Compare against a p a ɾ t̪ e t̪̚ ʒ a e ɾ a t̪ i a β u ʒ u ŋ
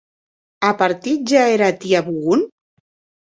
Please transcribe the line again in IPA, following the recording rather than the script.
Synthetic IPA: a p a ɾ t̪ i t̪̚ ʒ a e ɾ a t̪ i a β u ɣ u n

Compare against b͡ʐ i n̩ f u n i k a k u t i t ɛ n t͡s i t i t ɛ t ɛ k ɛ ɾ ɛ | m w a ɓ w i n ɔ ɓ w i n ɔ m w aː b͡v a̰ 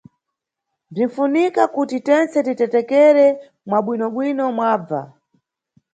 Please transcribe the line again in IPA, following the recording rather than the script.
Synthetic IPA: b͡ʐ i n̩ f u n i k a k u t i t ɛ n t͡s ɛ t i t ɛ t ɛ k ɛ ɾ ɛ | m w a ɓ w i n ɔ ɓ w i n ɔ m w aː b͡v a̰

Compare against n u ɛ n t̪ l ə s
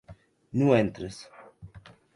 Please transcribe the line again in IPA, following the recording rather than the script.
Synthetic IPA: n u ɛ n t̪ ɾ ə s

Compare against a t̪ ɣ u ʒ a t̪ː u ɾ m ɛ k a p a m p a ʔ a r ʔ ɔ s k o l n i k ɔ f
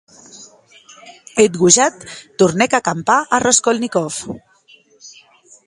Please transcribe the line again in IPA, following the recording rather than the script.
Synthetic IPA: e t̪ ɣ u ʒ a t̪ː u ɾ n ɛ k a k a m p a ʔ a r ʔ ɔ s k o l n i k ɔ f

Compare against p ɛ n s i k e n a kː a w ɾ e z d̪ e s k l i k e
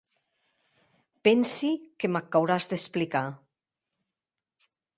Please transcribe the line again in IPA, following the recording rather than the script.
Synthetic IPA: p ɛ n s i k e m a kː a w ɾ a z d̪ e s p l i k a

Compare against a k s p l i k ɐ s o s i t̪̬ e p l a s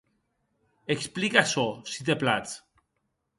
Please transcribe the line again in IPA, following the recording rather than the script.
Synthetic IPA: e k s p l i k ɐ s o s i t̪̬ e p l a t͡s

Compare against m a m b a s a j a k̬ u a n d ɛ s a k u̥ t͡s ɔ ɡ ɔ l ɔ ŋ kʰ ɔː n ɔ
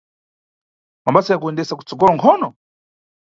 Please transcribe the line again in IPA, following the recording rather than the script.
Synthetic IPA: m a m b a s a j a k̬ u ɛ n d ɛ s a k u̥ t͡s ɔ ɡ ɔ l ɔ ŋ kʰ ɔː n ɔ

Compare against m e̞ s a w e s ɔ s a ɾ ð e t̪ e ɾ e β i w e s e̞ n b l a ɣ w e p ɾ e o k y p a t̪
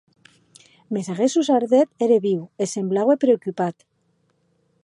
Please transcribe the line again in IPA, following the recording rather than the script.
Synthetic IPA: m e̞ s a ɣ e s u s a ɾ ð e t̪ e ɾ e β i w e s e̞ m b l a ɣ w e p ɾ e o k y p a t̪

